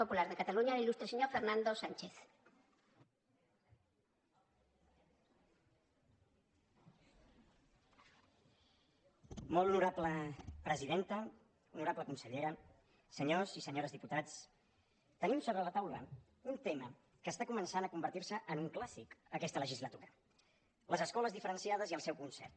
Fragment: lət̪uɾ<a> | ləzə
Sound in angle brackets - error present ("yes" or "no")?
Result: yes